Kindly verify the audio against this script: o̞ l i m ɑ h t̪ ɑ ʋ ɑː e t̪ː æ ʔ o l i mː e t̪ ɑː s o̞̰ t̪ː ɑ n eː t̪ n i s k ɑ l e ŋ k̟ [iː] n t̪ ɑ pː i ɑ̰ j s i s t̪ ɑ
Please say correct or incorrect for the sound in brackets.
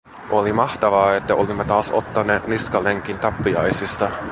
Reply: incorrect